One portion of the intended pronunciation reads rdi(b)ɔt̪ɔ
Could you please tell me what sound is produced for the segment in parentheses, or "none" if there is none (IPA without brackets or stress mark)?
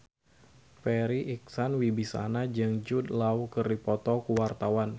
p